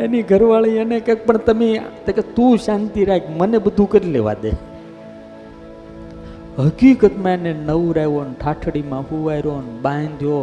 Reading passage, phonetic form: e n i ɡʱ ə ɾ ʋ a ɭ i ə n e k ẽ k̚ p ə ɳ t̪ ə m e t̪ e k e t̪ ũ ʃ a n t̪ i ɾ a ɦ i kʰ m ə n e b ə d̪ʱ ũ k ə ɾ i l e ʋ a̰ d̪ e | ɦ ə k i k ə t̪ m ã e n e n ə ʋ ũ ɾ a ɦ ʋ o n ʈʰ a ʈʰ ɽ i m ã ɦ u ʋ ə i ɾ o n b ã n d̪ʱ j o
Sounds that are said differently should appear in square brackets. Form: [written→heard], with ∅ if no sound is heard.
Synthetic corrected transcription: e n i ɡʱ ə ɾ ʋ a ɭ i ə n e k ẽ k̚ p ə ɳ t̪ ə m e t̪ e k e t̪ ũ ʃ a n t̪ i ɾ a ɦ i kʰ m ə n e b ə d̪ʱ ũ k ə ɾ i l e ʋ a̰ d̪ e | ɦ ə k i k ə t̪ m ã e n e n ə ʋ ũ ɾ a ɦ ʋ o n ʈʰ a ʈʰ ɽ i m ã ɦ u ʋ [ə→a] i ɾ o n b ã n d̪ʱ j o